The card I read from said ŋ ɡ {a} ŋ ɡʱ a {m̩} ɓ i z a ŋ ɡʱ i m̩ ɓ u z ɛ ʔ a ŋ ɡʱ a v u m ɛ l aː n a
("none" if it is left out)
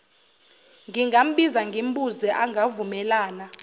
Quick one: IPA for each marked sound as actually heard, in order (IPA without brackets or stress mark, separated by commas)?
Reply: i, m̩